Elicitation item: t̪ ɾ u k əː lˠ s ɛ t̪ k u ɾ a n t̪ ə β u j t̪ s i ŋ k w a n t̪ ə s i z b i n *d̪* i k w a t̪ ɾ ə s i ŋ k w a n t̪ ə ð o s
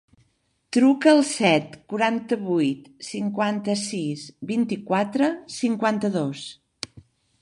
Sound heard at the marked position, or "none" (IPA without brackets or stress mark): t̪